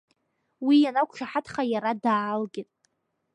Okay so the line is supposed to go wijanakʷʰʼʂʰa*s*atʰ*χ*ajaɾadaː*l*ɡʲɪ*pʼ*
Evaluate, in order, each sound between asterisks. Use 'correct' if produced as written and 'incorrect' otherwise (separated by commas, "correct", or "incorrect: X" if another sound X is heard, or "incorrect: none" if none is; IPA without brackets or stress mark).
incorrect: ħ, correct, correct, incorrect: tʼ